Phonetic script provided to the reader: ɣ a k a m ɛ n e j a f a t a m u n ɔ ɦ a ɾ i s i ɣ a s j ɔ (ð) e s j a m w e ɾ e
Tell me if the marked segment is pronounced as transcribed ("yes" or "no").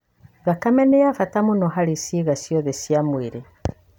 yes